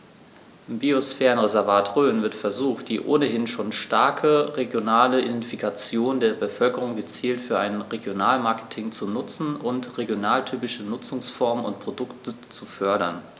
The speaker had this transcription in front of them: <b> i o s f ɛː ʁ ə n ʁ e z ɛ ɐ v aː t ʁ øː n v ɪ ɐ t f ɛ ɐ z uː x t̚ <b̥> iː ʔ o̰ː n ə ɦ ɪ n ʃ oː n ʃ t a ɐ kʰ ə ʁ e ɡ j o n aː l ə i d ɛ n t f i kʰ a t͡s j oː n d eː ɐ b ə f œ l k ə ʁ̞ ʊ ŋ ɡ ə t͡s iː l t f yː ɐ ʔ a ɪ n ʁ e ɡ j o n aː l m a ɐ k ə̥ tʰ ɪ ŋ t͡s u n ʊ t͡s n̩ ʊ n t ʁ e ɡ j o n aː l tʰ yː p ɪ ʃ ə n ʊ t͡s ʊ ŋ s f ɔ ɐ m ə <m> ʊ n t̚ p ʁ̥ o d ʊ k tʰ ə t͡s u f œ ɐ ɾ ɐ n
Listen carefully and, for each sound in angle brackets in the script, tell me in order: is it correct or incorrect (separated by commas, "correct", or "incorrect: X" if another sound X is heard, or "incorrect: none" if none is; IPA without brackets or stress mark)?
correct, incorrect: d̥, incorrect: n